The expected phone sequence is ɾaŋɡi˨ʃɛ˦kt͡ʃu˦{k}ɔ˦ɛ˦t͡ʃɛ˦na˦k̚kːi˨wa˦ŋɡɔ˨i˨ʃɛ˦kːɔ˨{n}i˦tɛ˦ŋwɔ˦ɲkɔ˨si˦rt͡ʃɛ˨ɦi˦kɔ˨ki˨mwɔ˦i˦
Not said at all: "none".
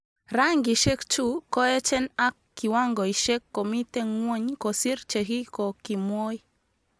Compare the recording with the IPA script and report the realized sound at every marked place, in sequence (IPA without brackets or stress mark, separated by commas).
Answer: k, m